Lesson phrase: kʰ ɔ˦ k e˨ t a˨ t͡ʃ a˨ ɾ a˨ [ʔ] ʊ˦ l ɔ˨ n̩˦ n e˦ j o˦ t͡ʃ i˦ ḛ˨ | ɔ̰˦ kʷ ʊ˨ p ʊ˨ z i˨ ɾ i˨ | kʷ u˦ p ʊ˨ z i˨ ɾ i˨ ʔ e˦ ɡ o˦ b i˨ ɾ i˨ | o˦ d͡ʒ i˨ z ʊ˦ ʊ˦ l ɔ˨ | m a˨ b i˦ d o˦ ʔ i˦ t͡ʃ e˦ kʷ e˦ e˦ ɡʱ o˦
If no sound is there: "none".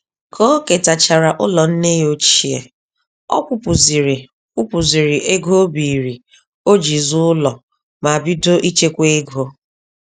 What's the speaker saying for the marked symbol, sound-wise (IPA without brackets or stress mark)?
ʔ